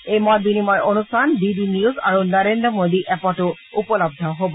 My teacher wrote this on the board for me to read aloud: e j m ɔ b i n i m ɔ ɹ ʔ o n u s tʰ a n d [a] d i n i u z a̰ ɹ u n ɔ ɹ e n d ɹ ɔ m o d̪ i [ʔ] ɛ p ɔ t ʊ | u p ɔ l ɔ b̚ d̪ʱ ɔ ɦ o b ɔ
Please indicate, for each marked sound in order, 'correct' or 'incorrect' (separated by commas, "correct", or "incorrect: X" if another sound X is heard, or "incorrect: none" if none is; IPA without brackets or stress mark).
incorrect: i, correct